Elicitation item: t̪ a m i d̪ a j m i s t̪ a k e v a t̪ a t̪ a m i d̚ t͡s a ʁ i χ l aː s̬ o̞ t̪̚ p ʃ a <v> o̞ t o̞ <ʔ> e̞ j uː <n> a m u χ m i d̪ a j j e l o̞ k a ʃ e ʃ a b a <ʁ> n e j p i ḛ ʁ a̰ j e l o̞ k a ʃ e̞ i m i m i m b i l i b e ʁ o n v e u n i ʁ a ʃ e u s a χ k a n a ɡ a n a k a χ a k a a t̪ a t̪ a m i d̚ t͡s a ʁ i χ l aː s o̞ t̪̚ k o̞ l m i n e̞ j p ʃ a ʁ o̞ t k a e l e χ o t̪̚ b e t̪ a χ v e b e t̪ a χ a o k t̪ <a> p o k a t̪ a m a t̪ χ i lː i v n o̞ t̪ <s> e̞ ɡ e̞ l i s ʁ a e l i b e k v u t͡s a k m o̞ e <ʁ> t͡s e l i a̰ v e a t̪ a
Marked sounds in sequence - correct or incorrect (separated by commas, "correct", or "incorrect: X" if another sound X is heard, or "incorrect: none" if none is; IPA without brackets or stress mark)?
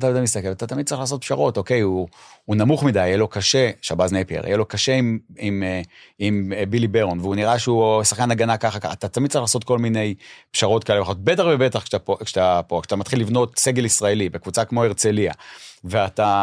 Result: incorrect: ʁ, incorrect: k, correct, incorrect: z, correct, correct, correct